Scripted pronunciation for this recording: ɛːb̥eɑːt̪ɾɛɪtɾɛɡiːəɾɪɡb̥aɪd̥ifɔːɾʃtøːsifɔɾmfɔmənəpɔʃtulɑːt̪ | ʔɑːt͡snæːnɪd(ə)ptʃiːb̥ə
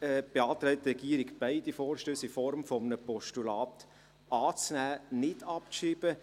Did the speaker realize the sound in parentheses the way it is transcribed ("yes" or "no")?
no